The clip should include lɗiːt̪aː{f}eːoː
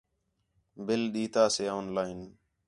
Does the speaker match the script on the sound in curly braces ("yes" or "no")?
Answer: no